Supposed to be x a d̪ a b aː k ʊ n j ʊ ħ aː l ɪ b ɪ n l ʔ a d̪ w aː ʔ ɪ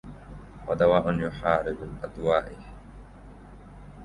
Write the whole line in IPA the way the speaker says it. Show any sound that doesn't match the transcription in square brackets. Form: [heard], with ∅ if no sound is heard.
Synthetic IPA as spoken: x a d̪ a [w] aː [ʔ] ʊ n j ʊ ħ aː [ɾ] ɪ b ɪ [∅] l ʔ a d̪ w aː ʔ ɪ